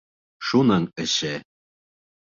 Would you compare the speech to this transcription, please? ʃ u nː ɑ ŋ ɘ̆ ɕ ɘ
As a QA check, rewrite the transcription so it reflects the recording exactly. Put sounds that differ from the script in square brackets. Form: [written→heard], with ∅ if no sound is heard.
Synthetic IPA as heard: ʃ u [nː→n] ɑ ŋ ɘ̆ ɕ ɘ